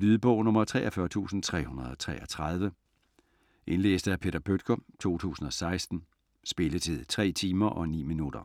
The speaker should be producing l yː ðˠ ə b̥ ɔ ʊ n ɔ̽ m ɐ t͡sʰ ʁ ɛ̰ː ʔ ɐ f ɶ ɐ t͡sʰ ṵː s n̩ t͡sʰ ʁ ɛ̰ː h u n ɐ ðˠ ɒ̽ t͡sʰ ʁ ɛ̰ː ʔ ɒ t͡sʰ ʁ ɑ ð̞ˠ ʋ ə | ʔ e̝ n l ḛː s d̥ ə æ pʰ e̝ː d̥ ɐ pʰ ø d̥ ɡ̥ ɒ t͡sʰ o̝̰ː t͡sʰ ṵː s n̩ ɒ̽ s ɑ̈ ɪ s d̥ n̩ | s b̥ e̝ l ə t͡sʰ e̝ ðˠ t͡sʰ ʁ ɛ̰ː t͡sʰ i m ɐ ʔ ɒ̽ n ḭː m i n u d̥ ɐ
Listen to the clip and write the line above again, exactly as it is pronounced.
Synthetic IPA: l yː ðˠ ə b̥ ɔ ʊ n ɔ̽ m ɐ t͡sʰ ʁ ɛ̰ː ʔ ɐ f ɶ ɐ t͡sʰ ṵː s n̩ t͡sʰ ʁ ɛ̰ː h u n ɐ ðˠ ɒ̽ t͡sʰ ʁ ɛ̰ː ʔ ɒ t͡sʰ ʁ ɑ ð̞ˠ ʋ ə | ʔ e̝ n l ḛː s d̥ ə æ pʰ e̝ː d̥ ɐ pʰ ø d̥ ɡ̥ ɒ t͡sʰ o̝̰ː t͡sʰ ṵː s n̩ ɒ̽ s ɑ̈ ɪ s d̥ n̩ | s b̥ e̝ l ə t͡sʰ e̝ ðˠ t͡sʰ ʁ ɛ̰ː t͡sʰ iː m ɐ ʔ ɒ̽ n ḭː m i n u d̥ ɐ